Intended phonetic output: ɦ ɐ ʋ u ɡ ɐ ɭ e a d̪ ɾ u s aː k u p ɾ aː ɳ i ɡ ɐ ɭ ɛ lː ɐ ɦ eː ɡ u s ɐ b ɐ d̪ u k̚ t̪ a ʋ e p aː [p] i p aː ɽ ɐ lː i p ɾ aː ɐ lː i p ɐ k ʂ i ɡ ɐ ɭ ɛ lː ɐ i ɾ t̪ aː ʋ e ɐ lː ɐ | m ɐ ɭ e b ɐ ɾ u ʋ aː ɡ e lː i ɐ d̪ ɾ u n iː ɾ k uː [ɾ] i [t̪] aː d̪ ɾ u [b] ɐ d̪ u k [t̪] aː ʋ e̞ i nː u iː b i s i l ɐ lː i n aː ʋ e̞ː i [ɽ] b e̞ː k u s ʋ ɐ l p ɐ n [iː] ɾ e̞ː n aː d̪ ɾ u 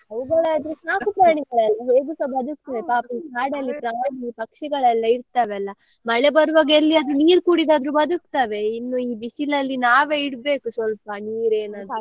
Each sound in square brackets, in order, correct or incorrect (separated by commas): correct, incorrect, incorrect, correct, correct, correct, correct